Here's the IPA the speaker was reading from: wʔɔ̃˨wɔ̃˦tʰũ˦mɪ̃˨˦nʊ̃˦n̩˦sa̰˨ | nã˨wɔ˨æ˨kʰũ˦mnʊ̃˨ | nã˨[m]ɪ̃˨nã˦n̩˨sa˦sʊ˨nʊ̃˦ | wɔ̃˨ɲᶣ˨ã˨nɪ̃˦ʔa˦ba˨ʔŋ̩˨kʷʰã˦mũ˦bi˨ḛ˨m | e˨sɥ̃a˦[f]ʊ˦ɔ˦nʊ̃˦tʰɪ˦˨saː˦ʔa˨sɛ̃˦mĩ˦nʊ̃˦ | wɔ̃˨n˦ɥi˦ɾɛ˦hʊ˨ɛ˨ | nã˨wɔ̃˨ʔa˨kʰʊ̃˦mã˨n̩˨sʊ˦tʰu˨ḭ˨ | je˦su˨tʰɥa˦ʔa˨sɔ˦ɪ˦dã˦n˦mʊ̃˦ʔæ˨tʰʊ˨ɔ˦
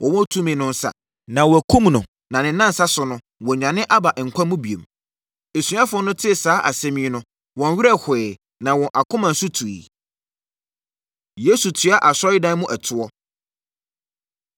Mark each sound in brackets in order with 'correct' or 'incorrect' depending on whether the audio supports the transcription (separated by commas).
incorrect, correct